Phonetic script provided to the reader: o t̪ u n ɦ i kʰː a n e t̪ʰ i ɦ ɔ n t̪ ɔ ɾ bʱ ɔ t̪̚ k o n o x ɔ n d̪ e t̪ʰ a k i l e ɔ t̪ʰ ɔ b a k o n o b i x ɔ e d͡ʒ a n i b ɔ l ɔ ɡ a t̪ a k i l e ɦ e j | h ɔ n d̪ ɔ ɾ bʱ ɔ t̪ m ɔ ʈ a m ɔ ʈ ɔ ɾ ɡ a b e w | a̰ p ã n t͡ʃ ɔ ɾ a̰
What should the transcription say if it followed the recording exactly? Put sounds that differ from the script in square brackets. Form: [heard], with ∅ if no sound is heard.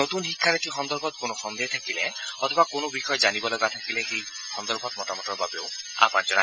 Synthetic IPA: o t̪ u n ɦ i kʰː a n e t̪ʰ i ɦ ɔ n [d̪] ɔ ɾ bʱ ɔ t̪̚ k o n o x ɔ n d̪ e t̪ʰ a k i l e ɔ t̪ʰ ɔ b a k o n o b i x ɔ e d͡ʒ a n i b ɔ l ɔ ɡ a [t̪ʰ] a k i l e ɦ e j | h ɔ n d̪ ɔ ɾ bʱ ɔ t̪ m ɔ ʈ a m ɔ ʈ ɔ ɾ [b] a b e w | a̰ p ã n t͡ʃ ɔ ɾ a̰